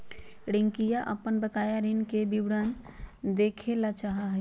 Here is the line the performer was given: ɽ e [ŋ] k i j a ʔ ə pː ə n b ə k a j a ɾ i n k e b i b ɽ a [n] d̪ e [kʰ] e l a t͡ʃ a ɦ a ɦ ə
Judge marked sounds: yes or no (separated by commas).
yes, yes, yes